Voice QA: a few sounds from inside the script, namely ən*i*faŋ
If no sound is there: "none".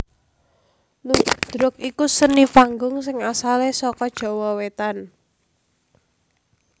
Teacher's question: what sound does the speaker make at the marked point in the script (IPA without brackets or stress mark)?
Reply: i